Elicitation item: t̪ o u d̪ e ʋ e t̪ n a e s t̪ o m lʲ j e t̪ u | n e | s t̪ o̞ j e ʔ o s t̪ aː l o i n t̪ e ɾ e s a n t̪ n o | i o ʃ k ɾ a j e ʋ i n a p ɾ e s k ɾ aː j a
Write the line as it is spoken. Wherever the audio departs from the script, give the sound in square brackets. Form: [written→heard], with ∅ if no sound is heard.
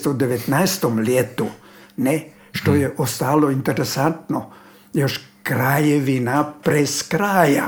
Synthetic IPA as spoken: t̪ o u d̪ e ʋ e t̪ n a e s t̪ o m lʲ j e t̪ u | n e | [s→ʃ] t̪ o̞ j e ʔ o s t̪ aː l o i n t̪ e ɾ e s a n t̪ n o | [i→j] o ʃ k ɾ a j e ʋ i n a p ɾ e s k ɾ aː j a